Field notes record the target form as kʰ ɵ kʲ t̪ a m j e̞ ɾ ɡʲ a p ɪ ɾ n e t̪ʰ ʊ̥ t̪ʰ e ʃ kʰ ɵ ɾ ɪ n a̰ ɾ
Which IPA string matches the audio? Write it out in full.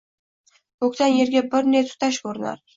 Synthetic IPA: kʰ ɵ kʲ t̪ a n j e̞ ɾ ɡʲ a b ɪ ɾ n e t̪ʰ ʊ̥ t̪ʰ a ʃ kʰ ɵ ɾ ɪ n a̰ ɾ

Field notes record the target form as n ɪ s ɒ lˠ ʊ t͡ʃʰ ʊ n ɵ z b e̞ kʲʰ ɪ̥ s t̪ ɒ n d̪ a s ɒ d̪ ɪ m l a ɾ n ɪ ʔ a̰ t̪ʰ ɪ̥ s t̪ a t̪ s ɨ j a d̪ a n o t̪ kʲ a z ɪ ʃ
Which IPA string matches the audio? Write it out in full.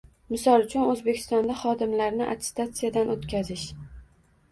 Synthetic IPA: m ɪ s ɒ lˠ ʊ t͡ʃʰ ʊ n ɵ z b e̞ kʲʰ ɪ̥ s t̪ ɒ n d̪ a χ ɒ d̪ ɪ m l a ɾ n ɪ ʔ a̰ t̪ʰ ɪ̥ s t̪ a t̪ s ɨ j a d̪ a n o t̪ kʲ a z ɪ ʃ

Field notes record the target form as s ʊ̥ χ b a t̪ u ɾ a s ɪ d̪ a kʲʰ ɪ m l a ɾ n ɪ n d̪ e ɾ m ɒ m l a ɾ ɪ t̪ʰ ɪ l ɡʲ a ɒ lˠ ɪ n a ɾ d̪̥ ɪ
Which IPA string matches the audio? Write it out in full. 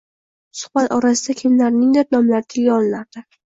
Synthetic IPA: s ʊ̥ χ b a t̪ ɒ ɾ a s ɪ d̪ a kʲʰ ɪ m l a ɾ n ɪ ŋ d̪ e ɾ n ɒ m l a ɾ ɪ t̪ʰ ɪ l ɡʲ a ɒ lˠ ɪ n a ɾ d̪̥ ɪ

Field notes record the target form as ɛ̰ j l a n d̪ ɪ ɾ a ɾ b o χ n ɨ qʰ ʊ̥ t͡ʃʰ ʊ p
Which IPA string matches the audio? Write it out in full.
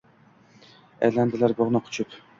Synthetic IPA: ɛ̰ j l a n d̪ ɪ l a ɾ b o ʁ n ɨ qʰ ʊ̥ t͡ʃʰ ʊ p

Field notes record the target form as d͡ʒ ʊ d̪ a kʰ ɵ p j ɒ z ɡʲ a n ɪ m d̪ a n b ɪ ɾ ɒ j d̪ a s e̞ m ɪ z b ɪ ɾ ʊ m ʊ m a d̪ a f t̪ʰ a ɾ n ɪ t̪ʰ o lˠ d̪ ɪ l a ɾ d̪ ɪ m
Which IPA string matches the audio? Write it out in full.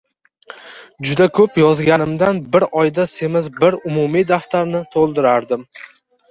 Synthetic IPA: d͡ʒ ʊ d̪ a kʰ ɵ p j ɒ z ɡʲ a n ɪ m d̪ a n b ɪ ɾ ɒ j d̪ a s e̞ m ɪ z b ɪ ɾ ʊ m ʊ m i d̪ a f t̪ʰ a ɾ n ɪ t̪ʰ o lˠ d̪ ɪ ɾ a ɾ d̪ ɪ m

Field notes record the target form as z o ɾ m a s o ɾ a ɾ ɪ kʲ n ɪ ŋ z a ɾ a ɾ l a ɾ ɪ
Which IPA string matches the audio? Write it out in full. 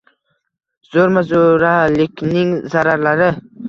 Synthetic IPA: z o ɾ m a z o ɾ a l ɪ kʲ n ɪ ŋ z a ɾ a ɾ l a ɾ ɪ

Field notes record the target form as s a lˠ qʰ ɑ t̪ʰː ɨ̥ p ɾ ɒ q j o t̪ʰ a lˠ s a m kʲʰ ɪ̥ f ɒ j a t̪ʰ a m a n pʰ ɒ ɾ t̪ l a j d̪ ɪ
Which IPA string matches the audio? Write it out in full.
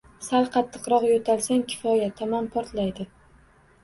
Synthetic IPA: s a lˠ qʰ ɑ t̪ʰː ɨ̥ q ɾ ɒ q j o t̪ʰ a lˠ s a ŋ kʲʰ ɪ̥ f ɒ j a t̪ʰ a m a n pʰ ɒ ɾ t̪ l a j d̪ ɪ

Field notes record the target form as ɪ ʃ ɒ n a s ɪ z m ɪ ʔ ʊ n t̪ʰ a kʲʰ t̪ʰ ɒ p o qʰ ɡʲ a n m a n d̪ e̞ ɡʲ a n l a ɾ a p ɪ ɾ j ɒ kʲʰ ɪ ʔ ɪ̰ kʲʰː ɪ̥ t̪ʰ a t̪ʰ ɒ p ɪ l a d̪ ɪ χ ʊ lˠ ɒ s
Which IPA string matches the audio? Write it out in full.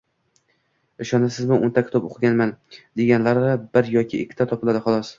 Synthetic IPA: ɪ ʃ ɒ n a s ɪ z m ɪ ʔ ʊ n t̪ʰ a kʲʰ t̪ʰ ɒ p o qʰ ɡʲ a n m a n d̪ e̞ ɡʲ a n l a ɾ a b ɪ ɾ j ɒ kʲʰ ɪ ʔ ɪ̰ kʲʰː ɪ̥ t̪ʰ a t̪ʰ ɒ p ɪ l a d̪ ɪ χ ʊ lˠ ɒ s

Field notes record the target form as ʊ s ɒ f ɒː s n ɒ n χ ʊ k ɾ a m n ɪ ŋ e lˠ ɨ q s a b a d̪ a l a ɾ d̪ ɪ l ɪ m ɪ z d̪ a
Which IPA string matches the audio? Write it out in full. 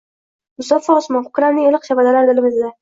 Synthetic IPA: ʊ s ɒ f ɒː s m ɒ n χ ʊ k ɾ a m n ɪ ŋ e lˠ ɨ q ʃ a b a d̪ a l a ɾ d̪ ɪ l ɪ m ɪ z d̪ a

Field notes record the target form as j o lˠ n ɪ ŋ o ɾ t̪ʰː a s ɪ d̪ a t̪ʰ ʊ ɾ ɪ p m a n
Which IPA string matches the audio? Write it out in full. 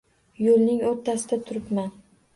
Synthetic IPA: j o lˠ n ɪ ŋ o ɾ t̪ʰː a s ɪ d̪ a t̪ʰ ʊ ɾ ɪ p m a n

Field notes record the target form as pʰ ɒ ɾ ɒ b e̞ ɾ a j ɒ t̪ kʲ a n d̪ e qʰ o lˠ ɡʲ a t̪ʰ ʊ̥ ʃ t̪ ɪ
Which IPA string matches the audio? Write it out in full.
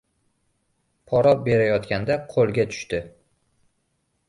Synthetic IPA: pʰ ɒ ɾ ɒ b e̞ ɾ a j ɒ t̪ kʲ a n d̪ a qʰ o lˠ ɡʲ a t̪ʰ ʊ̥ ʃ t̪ ɪ

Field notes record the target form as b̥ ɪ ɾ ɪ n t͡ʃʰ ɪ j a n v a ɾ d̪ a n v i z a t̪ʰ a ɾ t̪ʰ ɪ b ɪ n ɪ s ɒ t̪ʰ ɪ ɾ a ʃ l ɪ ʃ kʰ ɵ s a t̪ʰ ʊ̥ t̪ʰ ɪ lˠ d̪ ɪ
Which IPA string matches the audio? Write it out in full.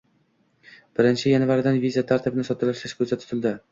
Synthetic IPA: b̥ ɪ ɾ ɪ n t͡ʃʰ ɪ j a n v a ɾ d̪ a n v i z a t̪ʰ a ɾ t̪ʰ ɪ b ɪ n ɪ s ɒ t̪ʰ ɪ l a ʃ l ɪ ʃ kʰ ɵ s a t̪ʰ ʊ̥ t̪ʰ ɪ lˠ d̪ ɪ

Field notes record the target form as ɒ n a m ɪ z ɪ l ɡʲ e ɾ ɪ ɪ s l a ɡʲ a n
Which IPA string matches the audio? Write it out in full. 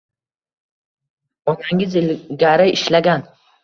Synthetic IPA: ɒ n a ŋ ɪ z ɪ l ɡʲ a ɾ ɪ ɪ ʃ l a ɡʲ a n

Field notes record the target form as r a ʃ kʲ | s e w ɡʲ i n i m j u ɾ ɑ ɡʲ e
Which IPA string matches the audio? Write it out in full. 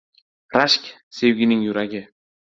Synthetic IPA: r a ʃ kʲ | s e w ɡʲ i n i ŋ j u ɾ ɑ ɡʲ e

